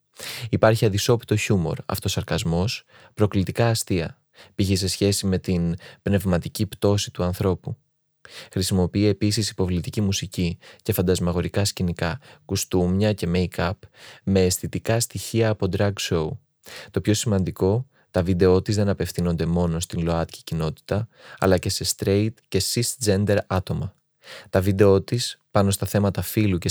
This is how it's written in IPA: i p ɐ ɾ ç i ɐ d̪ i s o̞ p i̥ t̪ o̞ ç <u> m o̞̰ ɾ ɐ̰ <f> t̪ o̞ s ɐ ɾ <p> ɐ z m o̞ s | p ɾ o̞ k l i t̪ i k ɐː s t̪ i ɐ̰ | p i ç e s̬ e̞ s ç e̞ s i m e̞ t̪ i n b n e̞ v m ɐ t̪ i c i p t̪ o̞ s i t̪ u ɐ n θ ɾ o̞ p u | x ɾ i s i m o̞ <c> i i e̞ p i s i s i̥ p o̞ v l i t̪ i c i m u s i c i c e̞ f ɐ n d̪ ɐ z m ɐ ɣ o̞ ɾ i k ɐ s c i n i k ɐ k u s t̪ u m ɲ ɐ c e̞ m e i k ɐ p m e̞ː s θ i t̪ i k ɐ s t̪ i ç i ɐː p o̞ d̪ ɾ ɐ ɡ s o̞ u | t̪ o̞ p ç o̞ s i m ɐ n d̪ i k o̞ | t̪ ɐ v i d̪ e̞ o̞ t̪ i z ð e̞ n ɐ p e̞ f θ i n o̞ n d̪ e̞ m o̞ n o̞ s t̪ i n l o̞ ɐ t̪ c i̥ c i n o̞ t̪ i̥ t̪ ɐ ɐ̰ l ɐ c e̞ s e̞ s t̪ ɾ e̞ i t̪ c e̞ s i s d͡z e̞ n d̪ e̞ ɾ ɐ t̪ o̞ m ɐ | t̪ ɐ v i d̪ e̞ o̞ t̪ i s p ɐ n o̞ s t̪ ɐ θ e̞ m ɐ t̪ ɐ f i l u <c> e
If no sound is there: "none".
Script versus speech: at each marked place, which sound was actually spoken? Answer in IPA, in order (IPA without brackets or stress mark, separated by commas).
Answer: u, f, k, p, c